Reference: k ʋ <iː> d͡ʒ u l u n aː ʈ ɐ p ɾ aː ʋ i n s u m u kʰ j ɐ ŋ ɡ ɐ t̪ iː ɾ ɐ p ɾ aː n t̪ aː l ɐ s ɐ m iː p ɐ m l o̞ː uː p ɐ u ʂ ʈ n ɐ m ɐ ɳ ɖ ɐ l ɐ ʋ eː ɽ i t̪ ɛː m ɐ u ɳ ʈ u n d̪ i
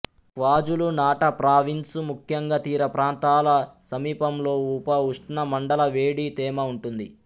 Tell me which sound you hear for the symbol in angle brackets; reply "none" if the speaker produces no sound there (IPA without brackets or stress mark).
aː